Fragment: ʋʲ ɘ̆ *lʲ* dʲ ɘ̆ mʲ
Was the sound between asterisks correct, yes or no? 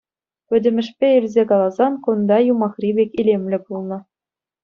no